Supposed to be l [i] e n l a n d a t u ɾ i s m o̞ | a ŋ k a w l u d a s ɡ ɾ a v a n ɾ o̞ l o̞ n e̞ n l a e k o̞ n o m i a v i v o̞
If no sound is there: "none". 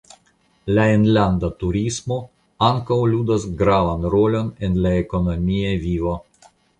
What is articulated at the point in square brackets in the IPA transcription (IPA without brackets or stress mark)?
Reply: a